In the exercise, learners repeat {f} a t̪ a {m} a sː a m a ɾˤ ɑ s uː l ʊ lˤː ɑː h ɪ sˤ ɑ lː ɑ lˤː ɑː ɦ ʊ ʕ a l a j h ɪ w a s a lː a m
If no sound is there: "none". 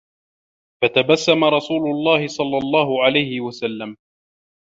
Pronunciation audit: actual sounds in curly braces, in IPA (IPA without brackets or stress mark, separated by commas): f, b